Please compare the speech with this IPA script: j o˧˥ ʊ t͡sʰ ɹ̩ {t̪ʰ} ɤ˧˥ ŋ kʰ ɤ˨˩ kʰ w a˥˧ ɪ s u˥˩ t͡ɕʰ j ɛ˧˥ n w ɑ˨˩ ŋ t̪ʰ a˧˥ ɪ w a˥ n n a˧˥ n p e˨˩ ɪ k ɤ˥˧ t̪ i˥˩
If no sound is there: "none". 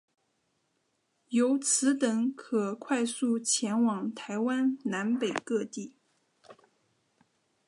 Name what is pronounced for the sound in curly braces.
t̪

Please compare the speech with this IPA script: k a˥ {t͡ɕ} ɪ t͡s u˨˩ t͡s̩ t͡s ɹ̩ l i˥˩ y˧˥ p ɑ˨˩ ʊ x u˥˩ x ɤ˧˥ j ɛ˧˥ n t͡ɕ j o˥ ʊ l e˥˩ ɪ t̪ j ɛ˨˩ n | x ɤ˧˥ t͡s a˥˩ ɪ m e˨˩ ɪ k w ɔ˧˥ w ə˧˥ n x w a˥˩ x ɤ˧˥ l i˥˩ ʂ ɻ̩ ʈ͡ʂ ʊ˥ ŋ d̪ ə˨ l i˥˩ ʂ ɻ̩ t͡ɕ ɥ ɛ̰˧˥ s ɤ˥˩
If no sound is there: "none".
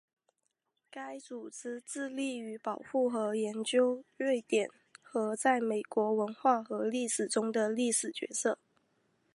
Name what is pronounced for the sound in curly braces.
none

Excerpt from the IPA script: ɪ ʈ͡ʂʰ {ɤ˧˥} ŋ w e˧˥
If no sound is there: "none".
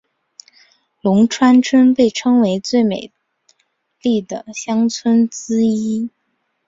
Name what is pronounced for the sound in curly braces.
ɤ˥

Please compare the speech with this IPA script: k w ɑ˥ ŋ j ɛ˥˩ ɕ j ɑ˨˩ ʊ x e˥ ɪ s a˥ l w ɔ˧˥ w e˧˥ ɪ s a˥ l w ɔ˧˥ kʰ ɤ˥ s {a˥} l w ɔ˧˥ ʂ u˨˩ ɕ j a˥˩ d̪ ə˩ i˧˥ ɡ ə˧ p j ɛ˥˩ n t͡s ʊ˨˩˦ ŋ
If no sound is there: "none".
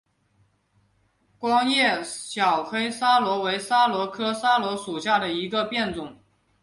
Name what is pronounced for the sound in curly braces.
a˥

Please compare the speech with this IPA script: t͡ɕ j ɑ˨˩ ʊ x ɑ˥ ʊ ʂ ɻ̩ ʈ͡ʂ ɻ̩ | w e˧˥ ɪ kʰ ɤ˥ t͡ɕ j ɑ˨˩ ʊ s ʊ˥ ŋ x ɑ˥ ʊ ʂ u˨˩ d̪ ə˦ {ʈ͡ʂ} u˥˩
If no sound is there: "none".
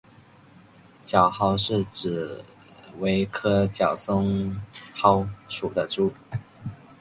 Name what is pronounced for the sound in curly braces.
ʈ͡ʂ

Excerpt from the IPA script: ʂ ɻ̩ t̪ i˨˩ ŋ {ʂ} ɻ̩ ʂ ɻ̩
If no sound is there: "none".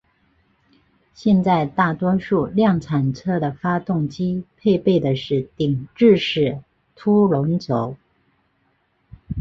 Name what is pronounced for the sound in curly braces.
ʈ͡ʂ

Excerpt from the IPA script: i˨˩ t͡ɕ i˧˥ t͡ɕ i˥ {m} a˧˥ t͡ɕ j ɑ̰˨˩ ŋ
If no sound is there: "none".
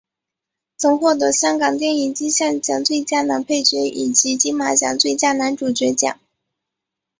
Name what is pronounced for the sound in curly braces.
m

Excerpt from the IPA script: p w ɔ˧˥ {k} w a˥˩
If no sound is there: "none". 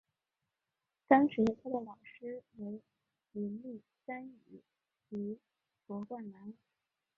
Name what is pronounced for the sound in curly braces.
k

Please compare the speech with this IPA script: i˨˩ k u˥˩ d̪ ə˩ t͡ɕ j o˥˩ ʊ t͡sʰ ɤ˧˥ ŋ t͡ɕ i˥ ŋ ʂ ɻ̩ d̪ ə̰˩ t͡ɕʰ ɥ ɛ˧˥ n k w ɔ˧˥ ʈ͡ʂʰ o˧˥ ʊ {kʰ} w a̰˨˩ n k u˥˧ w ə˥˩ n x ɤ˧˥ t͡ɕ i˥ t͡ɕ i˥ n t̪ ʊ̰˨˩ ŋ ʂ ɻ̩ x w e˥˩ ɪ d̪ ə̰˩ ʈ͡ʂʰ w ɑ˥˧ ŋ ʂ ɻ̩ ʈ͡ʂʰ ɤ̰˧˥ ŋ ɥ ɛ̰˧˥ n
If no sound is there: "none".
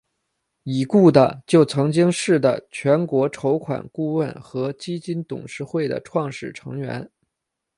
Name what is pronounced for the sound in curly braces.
kʰ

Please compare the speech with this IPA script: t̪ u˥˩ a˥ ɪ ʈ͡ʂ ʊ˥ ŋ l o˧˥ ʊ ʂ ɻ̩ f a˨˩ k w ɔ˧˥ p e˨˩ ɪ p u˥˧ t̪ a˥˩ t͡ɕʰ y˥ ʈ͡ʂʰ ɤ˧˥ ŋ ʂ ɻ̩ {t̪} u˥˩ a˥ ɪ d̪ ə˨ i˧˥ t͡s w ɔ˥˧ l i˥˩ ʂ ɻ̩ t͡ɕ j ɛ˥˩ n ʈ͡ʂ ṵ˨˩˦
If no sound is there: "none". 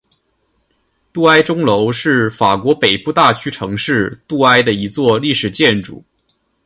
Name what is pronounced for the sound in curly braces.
t̪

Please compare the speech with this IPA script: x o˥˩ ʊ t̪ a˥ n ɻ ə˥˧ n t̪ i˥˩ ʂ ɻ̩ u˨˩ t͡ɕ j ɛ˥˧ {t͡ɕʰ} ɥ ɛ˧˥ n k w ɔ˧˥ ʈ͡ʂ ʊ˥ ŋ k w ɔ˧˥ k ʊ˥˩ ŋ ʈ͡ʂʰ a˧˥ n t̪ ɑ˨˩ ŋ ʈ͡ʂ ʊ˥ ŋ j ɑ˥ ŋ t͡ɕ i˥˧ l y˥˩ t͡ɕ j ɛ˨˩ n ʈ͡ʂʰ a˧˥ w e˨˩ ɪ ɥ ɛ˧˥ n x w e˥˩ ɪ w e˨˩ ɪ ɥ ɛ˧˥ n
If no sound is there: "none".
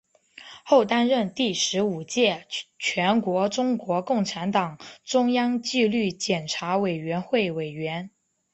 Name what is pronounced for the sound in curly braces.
t͡ɕʰ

